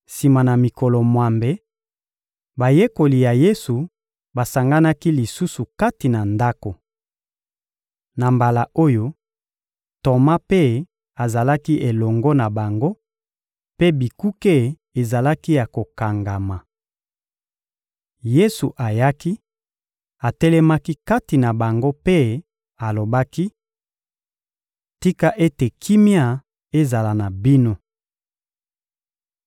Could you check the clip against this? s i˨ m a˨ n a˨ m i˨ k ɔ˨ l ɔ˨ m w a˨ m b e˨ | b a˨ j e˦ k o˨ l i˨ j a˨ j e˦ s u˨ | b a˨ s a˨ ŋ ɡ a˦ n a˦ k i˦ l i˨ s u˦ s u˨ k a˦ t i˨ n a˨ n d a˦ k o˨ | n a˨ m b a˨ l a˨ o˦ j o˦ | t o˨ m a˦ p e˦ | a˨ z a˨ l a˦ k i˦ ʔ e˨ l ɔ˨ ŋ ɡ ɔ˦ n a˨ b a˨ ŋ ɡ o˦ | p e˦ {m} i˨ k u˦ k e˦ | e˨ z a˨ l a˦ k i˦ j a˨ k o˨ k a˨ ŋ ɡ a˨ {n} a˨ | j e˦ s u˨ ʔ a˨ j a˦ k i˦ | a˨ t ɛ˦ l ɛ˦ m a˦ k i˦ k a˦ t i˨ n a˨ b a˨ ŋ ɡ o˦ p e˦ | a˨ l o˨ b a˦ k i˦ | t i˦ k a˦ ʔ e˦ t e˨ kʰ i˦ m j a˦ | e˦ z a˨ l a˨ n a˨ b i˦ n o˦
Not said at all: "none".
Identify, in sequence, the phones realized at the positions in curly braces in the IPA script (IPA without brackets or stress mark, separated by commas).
b, m